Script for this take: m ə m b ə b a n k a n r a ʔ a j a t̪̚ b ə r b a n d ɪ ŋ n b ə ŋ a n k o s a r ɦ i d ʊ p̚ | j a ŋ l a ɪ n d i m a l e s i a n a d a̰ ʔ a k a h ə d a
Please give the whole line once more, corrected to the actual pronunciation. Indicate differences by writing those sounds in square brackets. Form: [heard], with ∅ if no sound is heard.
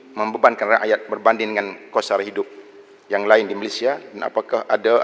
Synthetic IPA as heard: m ə m b ə b a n k a n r a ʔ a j a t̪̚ b ə r b a n d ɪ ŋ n [d] ə ŋ a n k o s a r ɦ i d ʊ p̚ | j a ŋ l a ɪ n d i m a l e s i a [d] a [n] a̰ [p] a k a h [a] d a